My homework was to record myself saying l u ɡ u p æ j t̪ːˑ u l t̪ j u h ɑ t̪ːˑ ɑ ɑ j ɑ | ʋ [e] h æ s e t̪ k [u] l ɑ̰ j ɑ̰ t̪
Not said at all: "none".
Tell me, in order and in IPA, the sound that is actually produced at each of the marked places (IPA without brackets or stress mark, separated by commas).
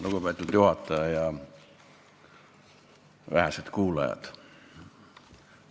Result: æ, uː